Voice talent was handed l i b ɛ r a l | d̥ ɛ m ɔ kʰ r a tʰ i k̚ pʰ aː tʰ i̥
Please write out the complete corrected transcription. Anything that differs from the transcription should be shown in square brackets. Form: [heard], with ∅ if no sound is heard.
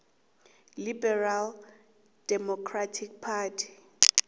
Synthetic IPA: l i b ɛ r a l | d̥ ɛ m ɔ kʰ r a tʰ i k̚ pʰ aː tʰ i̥